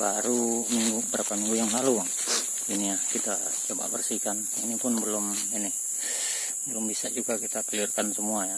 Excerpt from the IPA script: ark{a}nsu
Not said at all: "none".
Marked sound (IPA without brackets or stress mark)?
a